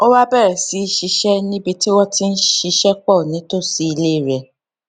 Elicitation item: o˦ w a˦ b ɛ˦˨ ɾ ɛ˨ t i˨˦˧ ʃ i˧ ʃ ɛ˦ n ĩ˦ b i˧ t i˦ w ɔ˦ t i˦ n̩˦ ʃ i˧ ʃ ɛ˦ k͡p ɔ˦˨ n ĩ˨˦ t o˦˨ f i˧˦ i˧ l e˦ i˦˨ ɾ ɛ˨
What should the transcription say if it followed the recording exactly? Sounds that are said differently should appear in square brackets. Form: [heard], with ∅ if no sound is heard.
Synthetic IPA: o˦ w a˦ b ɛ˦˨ ɾ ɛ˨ [s] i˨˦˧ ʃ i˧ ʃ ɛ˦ n ĩ˦ b i˧ t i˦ w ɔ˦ t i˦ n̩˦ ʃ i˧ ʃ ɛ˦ k͡p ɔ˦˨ n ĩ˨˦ t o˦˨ [s] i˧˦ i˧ l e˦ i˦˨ ɾ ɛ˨

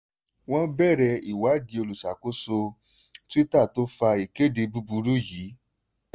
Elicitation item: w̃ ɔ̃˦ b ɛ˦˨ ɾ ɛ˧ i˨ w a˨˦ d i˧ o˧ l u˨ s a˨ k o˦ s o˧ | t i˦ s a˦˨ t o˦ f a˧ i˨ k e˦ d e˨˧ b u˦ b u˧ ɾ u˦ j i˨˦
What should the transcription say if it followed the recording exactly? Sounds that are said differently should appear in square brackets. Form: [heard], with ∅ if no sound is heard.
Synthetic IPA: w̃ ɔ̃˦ b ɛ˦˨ ɾ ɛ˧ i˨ w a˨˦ d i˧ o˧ l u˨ s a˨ k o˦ s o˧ | t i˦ [t] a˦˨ t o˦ f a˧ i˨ k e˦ d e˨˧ b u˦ b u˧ ɾ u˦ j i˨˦

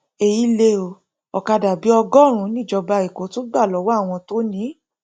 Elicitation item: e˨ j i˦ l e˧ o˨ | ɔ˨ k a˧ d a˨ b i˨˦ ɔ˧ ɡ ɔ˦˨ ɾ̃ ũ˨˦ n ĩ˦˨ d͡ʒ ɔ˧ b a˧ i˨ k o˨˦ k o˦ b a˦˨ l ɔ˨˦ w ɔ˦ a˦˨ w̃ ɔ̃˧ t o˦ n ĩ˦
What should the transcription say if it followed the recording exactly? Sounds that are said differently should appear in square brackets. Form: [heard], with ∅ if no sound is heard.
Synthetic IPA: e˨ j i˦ l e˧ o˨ | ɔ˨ k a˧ d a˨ b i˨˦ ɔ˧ ɡ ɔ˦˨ ɾ̃ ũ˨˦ n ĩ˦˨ d͡ʒ ɔ˧ b a˧ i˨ k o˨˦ [t] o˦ [ɡ͡b] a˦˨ l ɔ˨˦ w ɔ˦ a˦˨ w̃ ɔ̃˧ t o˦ n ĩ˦

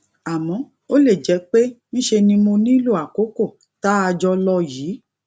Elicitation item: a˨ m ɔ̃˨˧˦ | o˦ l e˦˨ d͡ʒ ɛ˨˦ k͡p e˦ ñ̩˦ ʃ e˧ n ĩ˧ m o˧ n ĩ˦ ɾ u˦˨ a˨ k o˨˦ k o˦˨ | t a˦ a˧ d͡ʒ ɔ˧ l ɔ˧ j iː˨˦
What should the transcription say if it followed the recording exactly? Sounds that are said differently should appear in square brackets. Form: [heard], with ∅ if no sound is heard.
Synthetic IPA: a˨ m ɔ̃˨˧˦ | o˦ l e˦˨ d͡ʒ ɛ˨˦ k͡p e˦ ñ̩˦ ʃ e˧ n ĩ˧ m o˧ n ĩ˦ [l] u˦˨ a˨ k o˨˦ k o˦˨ | t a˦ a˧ d͡ʒ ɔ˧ l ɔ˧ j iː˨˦

